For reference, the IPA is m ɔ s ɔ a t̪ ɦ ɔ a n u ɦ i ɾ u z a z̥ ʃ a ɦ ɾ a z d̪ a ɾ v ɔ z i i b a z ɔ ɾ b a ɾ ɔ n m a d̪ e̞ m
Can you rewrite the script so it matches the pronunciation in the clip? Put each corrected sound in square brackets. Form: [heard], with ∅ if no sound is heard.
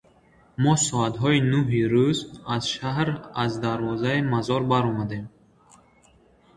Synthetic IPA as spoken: m ɔ s ɔ a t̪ ɦ ɔ [i] n u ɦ i ɾ u z a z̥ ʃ a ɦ ɾ a z d̪ a ɾ v ɔ z [a] i [m] a z ɔ ɾ b a ɾ ɔ [∅] m a d̪ e̞ m